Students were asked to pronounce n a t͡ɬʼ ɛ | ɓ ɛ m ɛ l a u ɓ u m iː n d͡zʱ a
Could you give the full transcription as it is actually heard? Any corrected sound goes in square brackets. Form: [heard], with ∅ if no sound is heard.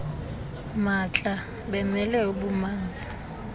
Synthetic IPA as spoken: [m] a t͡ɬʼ [a] | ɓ ɛ m ɛ l [ɛ] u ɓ u m [aː] n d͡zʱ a